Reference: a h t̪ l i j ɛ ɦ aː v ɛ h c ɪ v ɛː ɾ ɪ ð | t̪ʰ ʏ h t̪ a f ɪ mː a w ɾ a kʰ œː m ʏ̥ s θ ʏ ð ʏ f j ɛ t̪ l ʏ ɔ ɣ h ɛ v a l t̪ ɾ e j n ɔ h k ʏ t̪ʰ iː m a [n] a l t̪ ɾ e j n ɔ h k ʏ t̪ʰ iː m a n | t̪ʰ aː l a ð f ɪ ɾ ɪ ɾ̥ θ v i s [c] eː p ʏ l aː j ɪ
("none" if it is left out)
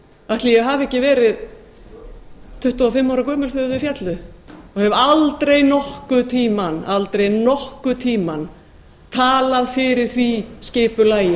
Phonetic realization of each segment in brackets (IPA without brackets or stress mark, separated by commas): n, c